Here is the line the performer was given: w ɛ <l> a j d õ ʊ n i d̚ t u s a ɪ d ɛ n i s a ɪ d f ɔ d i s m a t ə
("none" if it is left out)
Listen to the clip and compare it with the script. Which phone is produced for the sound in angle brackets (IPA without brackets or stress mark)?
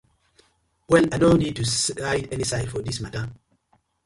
l